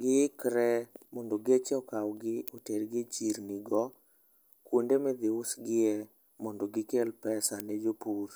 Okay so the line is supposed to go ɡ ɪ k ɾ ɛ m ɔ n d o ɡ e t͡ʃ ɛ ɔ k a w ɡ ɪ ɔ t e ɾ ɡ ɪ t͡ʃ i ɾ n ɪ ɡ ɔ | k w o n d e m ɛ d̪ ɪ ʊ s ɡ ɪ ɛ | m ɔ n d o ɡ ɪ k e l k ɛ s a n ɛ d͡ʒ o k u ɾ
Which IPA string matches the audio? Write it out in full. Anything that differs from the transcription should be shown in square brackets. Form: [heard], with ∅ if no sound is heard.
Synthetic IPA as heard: ɡ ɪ k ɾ ɛ m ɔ n d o ɡ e t͡ʃ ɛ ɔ k a w ɡ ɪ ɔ t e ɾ ɡ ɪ t͡ʃ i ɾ n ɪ ɡ ɔ | k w o n d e m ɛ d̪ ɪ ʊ s ɡ ɪ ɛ | m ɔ n d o ɡ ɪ k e l [p] ɛ s a n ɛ d͡ʒ o [p] u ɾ